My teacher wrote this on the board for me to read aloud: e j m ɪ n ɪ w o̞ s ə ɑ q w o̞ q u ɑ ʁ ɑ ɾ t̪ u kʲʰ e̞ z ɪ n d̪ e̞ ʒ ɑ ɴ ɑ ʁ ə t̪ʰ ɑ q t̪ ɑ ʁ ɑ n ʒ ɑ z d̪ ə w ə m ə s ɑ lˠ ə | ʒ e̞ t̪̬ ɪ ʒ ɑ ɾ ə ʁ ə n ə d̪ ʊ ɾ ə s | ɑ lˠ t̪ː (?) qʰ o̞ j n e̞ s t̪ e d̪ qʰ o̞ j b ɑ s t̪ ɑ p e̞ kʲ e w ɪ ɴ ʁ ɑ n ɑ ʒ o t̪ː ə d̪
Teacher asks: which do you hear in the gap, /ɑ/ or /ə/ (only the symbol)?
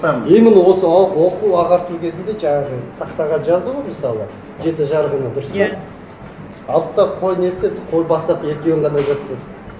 ɑ